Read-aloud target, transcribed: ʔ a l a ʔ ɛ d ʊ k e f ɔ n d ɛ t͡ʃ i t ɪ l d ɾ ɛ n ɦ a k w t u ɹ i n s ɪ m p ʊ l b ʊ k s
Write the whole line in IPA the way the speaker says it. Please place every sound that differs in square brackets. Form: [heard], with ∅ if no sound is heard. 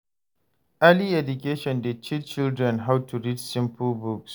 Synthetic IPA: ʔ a l [i] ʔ ɛ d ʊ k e [ʃ] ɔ n d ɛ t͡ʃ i [t͡ʃ] ɪ l d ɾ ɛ n ɦ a [∅] w t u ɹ i [d] s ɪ m p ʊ l b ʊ k s